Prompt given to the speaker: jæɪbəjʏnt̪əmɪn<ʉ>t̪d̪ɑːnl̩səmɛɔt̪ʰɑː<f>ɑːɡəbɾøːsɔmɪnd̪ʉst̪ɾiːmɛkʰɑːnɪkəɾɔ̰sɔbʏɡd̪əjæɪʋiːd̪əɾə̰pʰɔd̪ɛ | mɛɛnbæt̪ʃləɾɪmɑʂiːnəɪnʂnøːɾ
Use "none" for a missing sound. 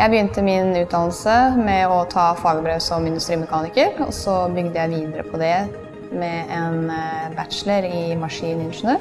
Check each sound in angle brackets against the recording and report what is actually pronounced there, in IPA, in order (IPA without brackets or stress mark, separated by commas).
ʉː, f